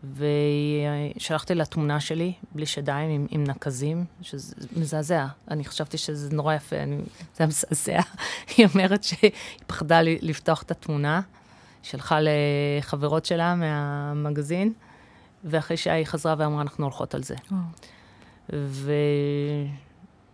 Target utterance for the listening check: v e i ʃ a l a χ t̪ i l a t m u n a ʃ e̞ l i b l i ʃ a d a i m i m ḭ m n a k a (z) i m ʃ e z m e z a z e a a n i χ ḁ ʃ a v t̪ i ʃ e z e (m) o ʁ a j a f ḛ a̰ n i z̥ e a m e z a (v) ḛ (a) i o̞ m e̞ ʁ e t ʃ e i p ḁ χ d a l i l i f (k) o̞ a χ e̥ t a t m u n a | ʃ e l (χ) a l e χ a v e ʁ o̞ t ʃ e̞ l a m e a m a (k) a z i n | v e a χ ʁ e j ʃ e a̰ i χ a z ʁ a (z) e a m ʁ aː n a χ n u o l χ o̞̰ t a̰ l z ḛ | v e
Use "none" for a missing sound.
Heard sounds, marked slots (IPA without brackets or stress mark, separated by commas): z, n, z, a, t, χ, ɡ, v